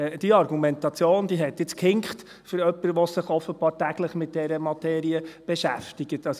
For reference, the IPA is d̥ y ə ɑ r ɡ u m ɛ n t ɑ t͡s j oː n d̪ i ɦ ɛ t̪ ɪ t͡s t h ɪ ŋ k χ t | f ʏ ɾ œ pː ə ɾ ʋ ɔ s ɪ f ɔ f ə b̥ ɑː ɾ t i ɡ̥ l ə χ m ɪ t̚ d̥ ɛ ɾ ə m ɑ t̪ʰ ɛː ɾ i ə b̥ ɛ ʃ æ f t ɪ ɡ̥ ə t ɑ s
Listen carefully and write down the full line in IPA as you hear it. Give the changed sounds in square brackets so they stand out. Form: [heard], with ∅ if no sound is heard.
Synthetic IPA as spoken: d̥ [i] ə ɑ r ɡ u m ɛ n t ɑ t͡s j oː n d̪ i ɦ ɛ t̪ ɪ t͡s [k] h ɪ ŋ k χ t | f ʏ ɾ œ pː ə ɾ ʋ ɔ s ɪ [χ] ɔ f ə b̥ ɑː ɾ t [æ] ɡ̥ l ə χ m ɪ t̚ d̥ ɛ ɾ ə m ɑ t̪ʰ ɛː ɾ i ə b̥ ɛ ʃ æ f t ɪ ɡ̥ ə t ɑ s